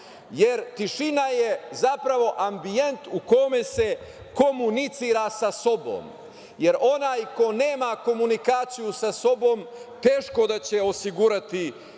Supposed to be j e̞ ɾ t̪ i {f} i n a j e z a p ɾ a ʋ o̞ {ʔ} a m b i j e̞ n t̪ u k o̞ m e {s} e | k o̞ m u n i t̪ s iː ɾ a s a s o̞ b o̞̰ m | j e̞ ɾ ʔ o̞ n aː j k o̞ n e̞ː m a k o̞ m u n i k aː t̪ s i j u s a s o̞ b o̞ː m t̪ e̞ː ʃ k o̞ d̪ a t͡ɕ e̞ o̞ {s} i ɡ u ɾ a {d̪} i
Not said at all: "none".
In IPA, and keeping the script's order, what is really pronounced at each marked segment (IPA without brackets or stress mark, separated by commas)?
ʃ, ʔ, s, s, t̪